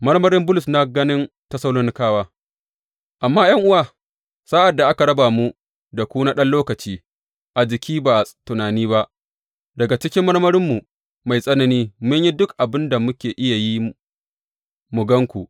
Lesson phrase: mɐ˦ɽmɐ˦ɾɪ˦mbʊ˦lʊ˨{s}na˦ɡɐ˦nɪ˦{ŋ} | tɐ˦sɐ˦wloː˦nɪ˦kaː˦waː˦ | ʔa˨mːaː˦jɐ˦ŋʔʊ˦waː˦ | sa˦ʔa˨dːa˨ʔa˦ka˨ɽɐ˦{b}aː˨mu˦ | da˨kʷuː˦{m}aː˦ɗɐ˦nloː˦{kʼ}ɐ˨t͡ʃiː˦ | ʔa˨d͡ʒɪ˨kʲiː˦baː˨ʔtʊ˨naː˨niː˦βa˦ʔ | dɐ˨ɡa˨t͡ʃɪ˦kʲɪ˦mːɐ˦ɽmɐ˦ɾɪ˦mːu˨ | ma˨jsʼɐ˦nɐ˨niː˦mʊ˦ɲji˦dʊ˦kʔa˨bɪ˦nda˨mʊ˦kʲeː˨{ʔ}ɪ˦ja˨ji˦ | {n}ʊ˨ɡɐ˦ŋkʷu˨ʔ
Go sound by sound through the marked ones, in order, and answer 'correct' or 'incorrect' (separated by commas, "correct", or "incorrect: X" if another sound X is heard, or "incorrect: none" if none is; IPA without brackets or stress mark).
correct, incorrect: n, correct, incorrect: n, incorrect: k, correct, incorrect: m